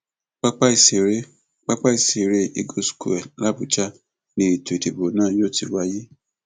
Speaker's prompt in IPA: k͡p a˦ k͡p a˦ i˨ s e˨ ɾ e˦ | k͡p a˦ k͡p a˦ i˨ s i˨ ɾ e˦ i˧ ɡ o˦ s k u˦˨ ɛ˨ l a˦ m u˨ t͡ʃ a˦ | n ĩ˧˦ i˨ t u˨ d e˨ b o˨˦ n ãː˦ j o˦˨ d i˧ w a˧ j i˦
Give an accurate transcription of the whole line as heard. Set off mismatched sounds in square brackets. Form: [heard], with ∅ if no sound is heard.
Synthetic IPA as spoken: k͡p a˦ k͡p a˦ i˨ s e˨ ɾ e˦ | k͡p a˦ k͡p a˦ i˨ s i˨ ɾ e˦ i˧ ɡ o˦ s k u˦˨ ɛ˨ l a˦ [b] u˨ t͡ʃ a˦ | n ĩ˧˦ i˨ t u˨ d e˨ b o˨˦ n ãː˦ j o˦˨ [t] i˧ w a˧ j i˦